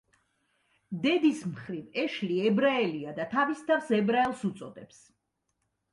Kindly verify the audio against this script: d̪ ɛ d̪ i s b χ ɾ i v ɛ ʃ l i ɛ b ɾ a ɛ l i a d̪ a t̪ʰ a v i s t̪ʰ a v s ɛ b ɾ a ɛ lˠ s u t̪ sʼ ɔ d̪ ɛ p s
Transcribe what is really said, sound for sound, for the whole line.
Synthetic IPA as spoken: d̪ ɛ d̪ i s m χ ɾ i v ɛ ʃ l i ɛ b ɾ a ɛ l i a d̪ a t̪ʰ a v i s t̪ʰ a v s ɛ b ɾ a ɛ lˠ s u t̪ sʼ ɔ d̪ ɛ p s

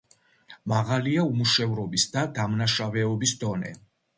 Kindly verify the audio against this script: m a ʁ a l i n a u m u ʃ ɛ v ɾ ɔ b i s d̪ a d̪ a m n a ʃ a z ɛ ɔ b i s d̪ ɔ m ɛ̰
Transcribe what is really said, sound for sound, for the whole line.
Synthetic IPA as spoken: m a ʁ a l i a u m u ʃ ɛ v ɾ ɔ b i s d̪ a d̪ a m n a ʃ a v ɛ ɔ b i s d̪ ɔ n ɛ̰

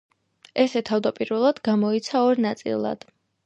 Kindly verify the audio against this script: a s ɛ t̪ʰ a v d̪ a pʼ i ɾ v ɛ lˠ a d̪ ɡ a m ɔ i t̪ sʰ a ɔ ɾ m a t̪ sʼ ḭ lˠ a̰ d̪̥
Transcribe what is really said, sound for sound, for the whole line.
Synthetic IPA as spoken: ɛ s ɛ t̪ʰ a v d̪ a pʼ i ɾ v ɛ lˠ a d̪ ɡ a m ɔ i t̪ sʰ a ɔ ɾ n a t̪ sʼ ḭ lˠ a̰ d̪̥

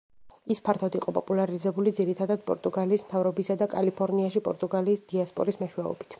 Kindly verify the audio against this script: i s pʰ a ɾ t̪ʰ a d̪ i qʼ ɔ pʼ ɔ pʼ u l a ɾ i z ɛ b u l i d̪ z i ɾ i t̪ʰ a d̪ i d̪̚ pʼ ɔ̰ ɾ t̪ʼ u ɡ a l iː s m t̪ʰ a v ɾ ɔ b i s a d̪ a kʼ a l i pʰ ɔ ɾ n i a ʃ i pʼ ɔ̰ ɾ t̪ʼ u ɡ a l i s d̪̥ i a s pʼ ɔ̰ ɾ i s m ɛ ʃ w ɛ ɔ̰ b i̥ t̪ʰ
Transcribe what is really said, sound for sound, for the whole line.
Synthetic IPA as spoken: i s pʰ a ɾ t̪ʰ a d̪ i qʼ ɔ pʼ ɔ pʼ u l a ɾ i z ɛ b u l i d̪ z i ɾ i t̪ʰ a d̪ a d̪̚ pʼ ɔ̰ ɾ t̪ʼ u ɡ a l iː s m t̪ʰ a v ɾ ɔ b i s a d̪ a kʼ a l i pʰ ɔ ɾ n i a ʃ i pʼ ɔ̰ ɾ t̪ʼ u ɡ a l iː s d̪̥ i a s pʼ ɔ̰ ɾ i s m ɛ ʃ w ɛ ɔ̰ b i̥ t̪ʰ

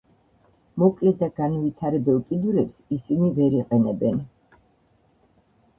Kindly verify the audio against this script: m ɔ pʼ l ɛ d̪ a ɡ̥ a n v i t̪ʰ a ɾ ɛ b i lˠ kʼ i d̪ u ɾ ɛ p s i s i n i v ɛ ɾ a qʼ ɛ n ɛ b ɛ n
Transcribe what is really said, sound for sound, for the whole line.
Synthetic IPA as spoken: m ɔ kʼ l ɛ d̪ a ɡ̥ a n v i t̪ʰ a ɾ ɛ b ɛ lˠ kʼ i d̪ u ɾ ɛ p s i s i n i v ɛ ɾ i qʼ ɛ n ɛ b ɛ n

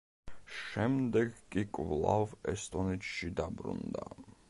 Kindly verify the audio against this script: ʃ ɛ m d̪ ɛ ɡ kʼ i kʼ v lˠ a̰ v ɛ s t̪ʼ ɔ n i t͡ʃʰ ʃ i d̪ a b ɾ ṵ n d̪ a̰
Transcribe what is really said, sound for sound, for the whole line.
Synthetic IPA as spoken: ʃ ɛ m d̪ ɛ ɡ kʼ i kʼ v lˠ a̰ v ɛ s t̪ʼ ɔ n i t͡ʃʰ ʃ i d̪ a b ɾ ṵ n d̪ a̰

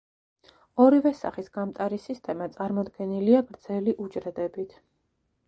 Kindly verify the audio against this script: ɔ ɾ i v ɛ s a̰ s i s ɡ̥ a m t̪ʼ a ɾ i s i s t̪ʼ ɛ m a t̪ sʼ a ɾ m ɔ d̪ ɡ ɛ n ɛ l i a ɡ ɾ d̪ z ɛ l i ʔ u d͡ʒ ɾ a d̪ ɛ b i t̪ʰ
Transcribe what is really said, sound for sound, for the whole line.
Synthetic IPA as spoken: ɔ ɾ i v ɛ s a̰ χ i s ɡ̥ a m t̪ʼ a ɾ i s i s t̪ʼ ɛ m a t̪ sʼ a ɾ m ɔ d̪ ɡ ɛ n i l i a ɡ ɾ d̪ z ɛ l i ʔ u d͡ʒ ɾ ɛ d̪ ɛ b i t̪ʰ

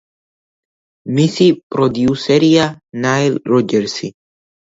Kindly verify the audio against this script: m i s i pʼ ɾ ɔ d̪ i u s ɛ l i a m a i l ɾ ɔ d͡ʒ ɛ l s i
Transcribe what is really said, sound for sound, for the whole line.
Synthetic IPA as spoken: m i s i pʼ ɾ ɔ d̪ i u s ɛ ɾ i a n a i l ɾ ɔ d͡ʒ ɛ ɾ s i

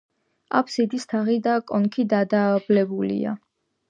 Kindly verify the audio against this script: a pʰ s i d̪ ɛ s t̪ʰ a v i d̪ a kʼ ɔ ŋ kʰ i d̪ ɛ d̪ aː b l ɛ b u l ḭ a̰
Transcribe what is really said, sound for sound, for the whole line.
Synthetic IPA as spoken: a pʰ s i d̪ i s t̪ʰ a ʁ i d̪ a kʼ ɔ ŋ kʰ i d̪ a d̪ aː b l ɛ b u l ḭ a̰

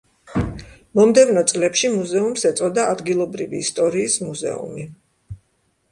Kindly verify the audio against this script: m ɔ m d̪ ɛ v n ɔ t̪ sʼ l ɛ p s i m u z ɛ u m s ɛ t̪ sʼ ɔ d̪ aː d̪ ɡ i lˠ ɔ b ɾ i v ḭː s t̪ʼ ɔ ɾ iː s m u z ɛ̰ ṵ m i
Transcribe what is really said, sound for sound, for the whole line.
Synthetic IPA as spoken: m ɔ m d̪ ɛ v n ɔ t̪ sʼ l ɛ p ʃ i m u z ɛ u m s ɛ t̪ sʼ ɔ d̪ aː d̪ ɡ i lˠ ɔ b ɾ i v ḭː s t̪ʼ ɔ ɾ iː s m u z ɛ̰ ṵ m i

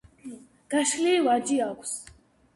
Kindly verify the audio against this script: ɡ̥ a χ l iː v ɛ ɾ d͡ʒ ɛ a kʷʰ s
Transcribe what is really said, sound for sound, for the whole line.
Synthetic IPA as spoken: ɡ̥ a ʃ l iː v a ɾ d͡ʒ i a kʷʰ s

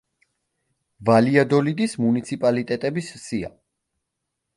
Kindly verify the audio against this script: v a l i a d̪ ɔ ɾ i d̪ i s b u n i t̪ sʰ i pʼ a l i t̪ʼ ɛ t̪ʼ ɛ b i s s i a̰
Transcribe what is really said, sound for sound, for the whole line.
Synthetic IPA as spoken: v a l i a d̪ ɔ l i d̪ i s m u n i t̪ sʰ i pʼ a l i t̪ʼ ɛ t̪ʼ ɛ b i s s i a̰

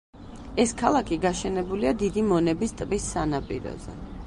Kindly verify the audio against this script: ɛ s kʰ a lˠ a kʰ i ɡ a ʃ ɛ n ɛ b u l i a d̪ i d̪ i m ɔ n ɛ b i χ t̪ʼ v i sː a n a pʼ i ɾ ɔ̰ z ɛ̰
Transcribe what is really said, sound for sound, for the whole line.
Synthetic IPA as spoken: ɛ s kʰ a lˠ a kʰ i ɡ a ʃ ɛ n ɛ b u l i a d̪ i d̪ i m ɔ n ɛ b i s t̪ʼ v i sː a n a pʼ i ɾ ɔ̰ z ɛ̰

